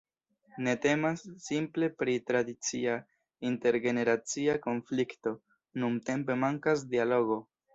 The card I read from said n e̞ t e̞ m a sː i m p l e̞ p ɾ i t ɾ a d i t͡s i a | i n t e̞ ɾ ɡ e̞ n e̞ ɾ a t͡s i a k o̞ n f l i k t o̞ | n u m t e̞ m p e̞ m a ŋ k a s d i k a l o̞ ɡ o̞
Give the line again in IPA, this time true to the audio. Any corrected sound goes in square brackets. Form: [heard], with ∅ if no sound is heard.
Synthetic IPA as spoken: n e̞ t e̞ m a sː i m p l e̞ p ɾ i t ɾ a d i t͡s i a | i n t e̞ ɾ ɡ e̞ n e̞ ɾ a t͡s i a k o̞ n f l i k t o̞ | n u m t e̞ m p e̞ m a ŋ k a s d i [∅] a l o̞ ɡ o̞